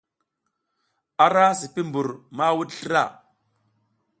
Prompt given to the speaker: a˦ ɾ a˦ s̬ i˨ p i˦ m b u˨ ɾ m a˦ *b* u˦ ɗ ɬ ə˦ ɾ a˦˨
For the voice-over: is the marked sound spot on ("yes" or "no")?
no